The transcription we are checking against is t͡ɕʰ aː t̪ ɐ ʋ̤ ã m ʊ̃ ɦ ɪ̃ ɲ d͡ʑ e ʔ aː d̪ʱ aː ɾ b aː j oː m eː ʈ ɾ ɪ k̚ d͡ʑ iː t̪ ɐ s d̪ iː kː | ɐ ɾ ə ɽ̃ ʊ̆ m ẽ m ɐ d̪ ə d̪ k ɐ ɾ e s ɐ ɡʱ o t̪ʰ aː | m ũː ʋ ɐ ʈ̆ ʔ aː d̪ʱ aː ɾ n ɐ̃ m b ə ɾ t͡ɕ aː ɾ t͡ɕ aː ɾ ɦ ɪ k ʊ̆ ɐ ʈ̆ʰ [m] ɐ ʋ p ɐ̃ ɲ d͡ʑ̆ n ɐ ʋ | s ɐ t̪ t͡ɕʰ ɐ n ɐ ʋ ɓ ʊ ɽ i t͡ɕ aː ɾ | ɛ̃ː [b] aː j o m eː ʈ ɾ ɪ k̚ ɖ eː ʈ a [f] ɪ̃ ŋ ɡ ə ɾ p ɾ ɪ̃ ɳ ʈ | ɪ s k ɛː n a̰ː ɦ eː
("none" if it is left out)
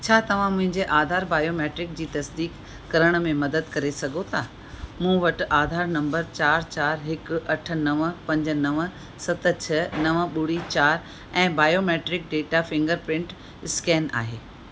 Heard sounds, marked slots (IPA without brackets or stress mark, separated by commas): n, b, f